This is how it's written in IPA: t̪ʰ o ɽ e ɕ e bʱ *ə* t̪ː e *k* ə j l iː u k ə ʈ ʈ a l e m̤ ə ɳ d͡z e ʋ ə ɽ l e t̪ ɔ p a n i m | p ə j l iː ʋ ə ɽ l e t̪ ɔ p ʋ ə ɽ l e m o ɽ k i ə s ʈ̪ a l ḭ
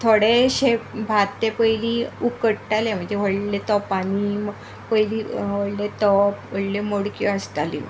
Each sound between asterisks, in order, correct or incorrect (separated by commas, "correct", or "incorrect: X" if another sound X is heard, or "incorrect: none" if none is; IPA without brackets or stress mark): incorrect: a, incorrect: p